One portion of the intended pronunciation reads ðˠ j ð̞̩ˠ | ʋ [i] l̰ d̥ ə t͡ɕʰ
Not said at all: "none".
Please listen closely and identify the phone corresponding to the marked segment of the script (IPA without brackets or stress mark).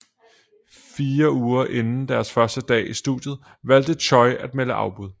æ